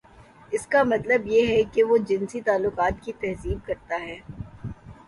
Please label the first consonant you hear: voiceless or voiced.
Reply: voiceless